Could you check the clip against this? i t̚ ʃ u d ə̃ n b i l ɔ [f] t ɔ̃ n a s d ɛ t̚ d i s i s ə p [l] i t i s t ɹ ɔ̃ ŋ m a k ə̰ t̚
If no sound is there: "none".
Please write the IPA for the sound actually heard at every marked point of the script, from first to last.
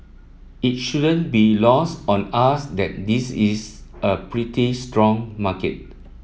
s, ɹ

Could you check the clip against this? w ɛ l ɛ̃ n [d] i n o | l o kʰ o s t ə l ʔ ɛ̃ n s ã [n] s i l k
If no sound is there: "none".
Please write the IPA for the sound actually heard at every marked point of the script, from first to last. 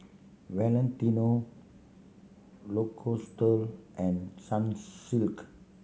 t, n

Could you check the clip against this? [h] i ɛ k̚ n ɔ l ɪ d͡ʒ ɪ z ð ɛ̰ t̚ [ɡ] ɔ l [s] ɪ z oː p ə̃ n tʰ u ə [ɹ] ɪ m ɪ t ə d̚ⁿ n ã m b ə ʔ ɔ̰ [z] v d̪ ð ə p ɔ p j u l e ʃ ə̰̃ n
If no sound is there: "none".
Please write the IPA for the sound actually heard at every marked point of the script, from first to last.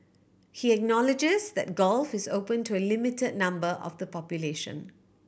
h, ɡ, f, l, none

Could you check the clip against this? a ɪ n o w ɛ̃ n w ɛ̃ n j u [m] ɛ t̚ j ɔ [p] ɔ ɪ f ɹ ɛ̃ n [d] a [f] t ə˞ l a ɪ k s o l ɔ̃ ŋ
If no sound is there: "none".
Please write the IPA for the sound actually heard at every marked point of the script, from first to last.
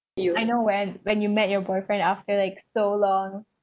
m, b, d, f

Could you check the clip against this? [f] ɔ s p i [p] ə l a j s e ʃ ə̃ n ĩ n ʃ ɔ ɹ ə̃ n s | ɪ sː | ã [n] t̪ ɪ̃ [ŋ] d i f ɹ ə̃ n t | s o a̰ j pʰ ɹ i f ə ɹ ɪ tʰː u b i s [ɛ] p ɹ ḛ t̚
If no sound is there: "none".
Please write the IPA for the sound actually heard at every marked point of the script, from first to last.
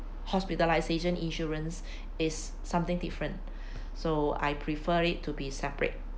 h, t, m, ŋ, ɛ

